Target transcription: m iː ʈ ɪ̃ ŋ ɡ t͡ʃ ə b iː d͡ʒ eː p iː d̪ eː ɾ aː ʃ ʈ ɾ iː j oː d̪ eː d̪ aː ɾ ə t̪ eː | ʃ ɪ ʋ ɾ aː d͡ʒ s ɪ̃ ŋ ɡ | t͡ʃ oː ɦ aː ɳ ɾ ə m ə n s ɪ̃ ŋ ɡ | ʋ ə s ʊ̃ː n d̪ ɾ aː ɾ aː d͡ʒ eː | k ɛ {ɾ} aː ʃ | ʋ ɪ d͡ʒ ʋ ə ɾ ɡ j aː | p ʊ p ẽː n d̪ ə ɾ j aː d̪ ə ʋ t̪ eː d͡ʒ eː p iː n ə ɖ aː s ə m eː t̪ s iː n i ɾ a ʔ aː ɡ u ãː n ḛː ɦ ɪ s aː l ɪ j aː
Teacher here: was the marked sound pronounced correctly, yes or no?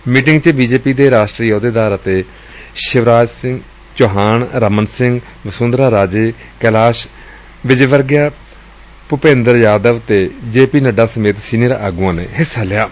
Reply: no